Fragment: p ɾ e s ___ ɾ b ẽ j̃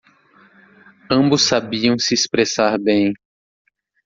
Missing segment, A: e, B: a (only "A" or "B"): B